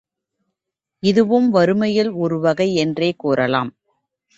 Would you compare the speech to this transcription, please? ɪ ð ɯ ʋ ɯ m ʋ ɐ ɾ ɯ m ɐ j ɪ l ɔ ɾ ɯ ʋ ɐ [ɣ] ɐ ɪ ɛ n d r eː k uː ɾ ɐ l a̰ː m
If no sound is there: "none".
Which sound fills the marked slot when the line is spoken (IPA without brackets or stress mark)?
ɣ